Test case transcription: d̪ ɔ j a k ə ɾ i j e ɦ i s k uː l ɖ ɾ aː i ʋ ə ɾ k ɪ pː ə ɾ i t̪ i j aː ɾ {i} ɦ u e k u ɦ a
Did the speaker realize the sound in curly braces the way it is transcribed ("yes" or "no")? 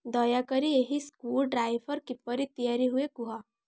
yes